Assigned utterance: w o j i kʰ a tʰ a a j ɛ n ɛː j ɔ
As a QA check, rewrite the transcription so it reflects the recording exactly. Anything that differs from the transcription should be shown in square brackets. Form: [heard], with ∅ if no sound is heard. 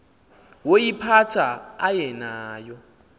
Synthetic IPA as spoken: w o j i [pʰ] a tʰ a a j ɛ n [aː] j ɔ